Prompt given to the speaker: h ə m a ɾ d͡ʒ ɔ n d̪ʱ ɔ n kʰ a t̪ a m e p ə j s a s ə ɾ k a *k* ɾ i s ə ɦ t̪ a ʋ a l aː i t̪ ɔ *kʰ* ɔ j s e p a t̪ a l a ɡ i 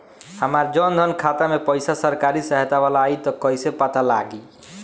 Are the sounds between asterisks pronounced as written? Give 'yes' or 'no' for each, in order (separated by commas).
no, no